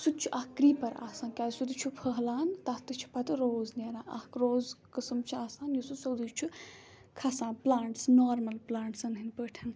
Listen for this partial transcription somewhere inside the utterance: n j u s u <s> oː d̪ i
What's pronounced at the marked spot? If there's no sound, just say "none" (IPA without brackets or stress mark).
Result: s